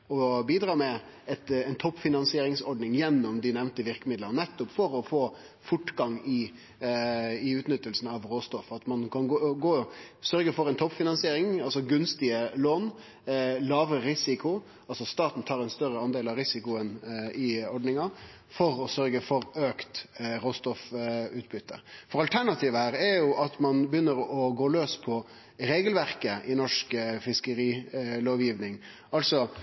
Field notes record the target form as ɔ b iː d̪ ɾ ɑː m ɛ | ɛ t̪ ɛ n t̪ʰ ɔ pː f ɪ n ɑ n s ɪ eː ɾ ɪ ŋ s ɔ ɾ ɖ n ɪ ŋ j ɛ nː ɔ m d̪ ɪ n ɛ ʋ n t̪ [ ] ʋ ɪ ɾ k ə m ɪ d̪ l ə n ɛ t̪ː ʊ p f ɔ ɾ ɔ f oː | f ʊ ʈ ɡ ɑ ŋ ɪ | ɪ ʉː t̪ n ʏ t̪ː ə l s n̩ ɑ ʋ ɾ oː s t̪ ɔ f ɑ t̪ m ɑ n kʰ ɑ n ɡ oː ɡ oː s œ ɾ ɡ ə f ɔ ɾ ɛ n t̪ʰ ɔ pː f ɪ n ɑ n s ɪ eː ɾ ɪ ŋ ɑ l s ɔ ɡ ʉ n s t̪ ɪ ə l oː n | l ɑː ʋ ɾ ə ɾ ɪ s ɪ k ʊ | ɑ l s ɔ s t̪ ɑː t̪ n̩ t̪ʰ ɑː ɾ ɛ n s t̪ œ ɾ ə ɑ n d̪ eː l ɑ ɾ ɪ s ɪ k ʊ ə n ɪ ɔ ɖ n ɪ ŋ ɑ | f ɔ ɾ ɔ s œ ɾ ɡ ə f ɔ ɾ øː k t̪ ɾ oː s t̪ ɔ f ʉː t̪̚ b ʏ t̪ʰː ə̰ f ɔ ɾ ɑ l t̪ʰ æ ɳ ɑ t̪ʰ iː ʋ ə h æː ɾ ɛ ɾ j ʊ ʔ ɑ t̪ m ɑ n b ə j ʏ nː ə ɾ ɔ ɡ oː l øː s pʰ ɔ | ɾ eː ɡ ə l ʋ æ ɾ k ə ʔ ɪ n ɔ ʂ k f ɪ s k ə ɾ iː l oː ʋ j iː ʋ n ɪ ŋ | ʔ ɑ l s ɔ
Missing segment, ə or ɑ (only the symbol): ə